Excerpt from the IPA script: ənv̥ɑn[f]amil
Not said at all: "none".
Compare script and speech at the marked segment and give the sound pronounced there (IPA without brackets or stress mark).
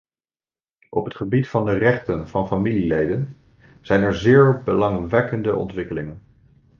f